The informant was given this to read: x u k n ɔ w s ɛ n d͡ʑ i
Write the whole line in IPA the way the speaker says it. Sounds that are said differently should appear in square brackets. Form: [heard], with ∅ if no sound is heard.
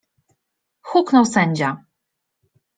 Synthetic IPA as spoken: x u k n ɔ w s ɛ [ɲ] d͡ʑ [a]